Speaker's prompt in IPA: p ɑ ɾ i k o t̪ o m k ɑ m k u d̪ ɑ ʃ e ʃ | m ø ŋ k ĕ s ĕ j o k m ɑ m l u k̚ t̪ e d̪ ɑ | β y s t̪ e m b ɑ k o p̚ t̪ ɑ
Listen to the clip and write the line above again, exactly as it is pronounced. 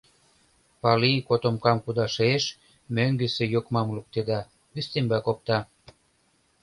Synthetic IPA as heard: p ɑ l i k o t̪ o m k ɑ m k u d̪ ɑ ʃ e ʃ | m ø ŋ ɡ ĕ s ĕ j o k m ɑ m l u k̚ t̪ e d̪ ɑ | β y s t̪ e m b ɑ k o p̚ t̪ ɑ